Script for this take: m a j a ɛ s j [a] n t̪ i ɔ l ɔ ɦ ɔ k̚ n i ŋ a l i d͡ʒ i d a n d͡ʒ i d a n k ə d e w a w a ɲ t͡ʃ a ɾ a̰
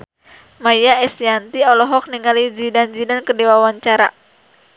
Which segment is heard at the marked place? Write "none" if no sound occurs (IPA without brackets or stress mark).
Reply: a